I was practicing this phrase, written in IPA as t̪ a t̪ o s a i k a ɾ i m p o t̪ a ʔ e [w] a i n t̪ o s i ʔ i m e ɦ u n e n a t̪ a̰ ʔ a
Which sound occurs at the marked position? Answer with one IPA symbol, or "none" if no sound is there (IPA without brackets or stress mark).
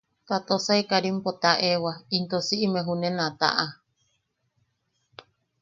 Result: w